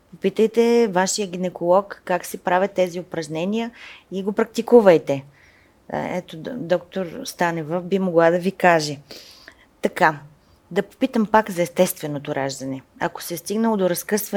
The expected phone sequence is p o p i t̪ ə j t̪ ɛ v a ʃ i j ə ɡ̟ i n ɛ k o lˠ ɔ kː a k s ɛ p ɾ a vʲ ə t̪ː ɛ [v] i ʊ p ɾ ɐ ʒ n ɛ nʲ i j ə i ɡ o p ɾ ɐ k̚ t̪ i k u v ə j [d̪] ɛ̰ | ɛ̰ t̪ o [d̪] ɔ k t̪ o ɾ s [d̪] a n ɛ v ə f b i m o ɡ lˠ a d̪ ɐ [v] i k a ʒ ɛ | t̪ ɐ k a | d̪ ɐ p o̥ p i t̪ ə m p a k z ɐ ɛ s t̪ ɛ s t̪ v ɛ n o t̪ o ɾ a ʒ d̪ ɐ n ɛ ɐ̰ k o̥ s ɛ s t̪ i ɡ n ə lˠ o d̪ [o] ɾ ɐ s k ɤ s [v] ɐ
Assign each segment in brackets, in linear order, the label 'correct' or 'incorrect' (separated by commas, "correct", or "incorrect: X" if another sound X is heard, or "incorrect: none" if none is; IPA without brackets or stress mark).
incorrect: z, incorrect: t̪, correct, incorrect: t̪, correct, correct, correct